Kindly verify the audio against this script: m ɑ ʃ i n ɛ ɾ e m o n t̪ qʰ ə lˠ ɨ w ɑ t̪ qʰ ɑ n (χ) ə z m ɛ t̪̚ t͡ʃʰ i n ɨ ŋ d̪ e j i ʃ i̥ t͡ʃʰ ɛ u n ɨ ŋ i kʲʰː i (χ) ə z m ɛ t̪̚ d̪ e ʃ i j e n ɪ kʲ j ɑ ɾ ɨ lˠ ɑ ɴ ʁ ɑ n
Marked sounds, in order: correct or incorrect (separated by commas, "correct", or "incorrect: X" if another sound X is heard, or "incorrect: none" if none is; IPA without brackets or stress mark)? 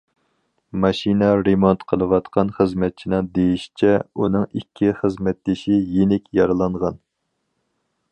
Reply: correct, correct